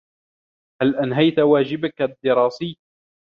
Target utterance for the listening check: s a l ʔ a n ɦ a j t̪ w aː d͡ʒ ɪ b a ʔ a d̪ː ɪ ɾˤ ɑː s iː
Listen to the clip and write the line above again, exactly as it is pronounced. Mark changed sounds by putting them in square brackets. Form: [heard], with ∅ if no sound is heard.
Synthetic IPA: [h] a l ʔ a n ɦ a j t̪ w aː d͡ʒ ɪ b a [k] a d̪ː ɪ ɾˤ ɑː s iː